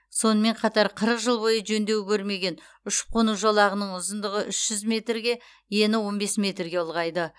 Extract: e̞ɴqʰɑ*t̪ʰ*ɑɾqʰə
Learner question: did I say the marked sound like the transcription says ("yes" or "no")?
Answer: no